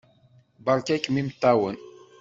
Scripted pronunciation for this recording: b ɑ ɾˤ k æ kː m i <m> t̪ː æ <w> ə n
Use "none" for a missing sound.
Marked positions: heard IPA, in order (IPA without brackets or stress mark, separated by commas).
m, w